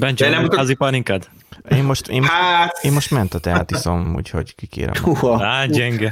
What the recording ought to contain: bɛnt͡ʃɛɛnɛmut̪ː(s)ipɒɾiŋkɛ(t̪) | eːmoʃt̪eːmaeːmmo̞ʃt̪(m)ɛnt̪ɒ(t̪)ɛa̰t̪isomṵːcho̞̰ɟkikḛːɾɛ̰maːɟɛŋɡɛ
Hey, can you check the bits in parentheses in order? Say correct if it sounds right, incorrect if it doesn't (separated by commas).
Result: incorrect, incorrect, correct, correct